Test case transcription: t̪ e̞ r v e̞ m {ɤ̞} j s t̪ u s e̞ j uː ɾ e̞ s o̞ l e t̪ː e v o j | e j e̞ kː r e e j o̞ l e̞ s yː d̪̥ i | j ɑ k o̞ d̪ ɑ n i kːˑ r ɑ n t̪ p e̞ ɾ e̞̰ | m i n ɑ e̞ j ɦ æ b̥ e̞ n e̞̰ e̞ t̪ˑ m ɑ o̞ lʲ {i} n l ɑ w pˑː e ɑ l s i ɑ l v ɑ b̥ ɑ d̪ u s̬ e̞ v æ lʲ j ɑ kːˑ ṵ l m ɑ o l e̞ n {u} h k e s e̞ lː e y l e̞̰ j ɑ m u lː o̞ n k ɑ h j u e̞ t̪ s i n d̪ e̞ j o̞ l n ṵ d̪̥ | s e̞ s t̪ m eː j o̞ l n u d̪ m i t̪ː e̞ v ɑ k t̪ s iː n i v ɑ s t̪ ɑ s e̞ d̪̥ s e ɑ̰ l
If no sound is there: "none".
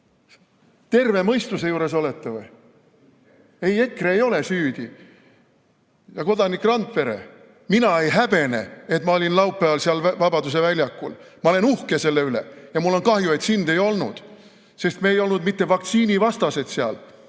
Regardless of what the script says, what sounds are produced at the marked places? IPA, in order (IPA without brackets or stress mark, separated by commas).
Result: ɤ̞, i, u